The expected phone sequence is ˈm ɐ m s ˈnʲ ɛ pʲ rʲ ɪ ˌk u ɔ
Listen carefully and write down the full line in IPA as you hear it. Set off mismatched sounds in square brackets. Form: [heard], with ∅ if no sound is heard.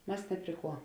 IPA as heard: ˈm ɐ [∅] s ˈnʲ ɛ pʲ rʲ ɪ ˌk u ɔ